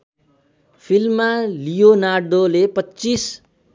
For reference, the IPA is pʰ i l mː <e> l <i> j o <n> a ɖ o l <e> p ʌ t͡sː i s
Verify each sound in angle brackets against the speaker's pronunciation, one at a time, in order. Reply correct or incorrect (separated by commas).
incorrect, correct, correct, correct